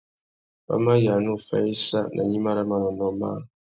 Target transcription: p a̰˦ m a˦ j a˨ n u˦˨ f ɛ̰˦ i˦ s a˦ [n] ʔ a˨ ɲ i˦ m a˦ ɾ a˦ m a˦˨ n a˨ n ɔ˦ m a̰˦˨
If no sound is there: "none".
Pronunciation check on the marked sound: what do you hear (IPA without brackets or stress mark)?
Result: n